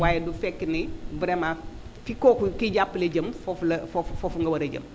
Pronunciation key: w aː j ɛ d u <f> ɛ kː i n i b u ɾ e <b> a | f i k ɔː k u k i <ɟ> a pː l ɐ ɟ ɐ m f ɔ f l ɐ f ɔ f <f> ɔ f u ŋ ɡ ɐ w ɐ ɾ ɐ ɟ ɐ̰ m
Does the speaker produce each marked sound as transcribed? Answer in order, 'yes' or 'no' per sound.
yes, no, yes, yes

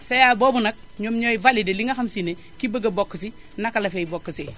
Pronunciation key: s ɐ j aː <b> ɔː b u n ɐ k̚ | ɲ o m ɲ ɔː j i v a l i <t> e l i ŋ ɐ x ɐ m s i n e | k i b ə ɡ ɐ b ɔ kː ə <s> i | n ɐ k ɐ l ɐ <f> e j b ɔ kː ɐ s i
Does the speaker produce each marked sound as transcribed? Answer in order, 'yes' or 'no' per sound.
yes, no, yes, yes

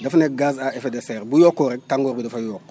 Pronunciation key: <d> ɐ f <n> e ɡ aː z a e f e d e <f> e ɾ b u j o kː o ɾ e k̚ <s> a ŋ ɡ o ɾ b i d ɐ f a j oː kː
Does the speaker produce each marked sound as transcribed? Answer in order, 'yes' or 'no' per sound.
yes, yes, no, no

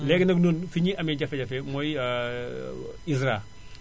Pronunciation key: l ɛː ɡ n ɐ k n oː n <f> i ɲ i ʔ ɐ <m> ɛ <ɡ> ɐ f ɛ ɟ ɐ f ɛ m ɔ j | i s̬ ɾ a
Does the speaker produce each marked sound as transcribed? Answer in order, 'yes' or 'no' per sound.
yes, yes, no

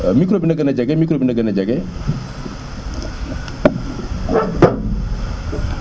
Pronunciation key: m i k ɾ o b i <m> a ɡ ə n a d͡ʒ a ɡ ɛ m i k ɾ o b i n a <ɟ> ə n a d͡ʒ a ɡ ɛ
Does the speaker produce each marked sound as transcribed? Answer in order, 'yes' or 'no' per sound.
no, no

